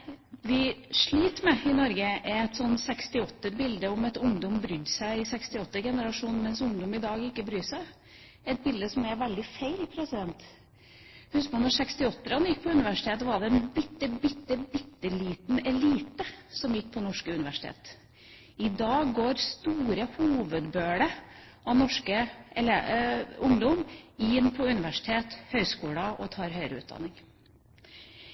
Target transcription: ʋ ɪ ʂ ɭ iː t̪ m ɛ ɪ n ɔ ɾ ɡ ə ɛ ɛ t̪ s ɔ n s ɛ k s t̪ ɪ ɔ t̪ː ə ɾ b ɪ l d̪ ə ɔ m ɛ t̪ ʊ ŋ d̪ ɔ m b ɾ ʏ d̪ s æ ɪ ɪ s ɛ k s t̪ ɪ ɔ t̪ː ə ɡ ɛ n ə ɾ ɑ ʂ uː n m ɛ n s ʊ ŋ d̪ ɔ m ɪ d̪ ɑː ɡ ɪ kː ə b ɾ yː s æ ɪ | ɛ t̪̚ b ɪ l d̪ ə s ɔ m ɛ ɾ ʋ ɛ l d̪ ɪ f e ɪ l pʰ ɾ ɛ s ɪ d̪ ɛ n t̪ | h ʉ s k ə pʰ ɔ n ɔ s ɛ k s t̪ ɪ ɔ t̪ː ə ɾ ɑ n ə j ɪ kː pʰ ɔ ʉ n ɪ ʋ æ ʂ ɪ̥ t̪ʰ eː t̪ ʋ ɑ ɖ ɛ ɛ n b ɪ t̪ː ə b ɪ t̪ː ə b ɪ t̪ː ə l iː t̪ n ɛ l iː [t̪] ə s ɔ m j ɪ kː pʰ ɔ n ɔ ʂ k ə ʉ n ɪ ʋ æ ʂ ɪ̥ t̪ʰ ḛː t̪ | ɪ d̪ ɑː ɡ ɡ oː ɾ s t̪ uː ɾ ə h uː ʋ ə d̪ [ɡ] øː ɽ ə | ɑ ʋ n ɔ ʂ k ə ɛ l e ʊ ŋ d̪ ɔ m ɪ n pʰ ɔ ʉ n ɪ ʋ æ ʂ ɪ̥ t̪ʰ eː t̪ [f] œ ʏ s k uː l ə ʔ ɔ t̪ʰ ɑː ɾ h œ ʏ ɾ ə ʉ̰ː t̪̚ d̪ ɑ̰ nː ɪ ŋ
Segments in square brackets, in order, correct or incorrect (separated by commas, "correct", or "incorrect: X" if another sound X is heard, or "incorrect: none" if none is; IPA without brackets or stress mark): correct, incorrect: b, incorrect: h